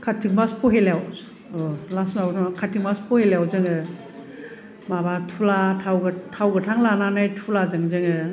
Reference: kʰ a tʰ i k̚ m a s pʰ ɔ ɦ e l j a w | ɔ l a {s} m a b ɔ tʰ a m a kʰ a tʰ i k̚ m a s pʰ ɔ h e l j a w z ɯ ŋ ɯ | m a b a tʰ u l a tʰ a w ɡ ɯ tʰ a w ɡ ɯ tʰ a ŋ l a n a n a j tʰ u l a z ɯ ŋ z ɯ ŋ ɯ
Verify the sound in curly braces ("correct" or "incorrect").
correct